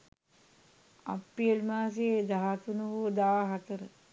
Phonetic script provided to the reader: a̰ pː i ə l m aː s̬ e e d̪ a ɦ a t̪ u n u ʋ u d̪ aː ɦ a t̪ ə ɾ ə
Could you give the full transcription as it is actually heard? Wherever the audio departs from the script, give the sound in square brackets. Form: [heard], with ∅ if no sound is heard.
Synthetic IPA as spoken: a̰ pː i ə l m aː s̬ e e d̪ a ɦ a t̪ u n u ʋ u d̪ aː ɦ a t̪ ə ɾ ə